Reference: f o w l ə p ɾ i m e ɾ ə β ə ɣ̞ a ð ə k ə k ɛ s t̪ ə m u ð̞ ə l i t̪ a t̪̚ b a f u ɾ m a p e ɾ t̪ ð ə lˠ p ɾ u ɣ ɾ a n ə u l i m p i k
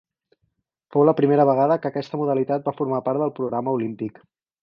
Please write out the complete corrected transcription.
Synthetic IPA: f o w l ə p ɾ i m e ɾ ə β ə ɣ̞ a ð ə k ə k ɛ s t̪ ə m u ð̞ ə l i t̪ a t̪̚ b a f u ɾ m a p a ɾ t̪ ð ə lˠ p ɾ u ɣ ɾ a m ə u l i m p i k